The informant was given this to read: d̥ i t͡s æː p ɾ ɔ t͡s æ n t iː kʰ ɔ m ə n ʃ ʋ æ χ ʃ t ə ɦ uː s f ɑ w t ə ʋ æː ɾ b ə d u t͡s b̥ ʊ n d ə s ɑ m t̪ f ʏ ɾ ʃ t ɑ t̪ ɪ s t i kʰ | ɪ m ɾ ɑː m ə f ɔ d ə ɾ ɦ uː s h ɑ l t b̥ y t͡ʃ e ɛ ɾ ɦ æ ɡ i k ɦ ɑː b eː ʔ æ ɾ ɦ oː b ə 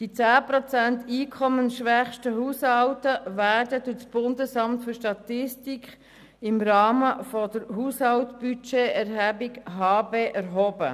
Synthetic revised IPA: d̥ i t͡s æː p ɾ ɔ t͡s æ n t iː kʰ ɔ m ə n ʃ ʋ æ χ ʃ t ə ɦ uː s h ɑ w t ə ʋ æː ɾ d ə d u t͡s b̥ ʊ n d ə s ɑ m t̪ f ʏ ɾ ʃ t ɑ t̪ ɪ s t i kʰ | ɪ m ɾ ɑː m ə f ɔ d ə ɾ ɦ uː s h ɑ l t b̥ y t͡ʃ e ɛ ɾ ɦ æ b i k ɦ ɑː b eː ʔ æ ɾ ɦ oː b ə